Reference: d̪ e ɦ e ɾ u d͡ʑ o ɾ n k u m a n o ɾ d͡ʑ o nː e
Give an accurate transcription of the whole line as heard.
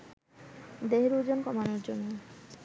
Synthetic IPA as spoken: d̪ e ɦ e ɾ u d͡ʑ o n k ɔ m a n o ɾ d͡ʑ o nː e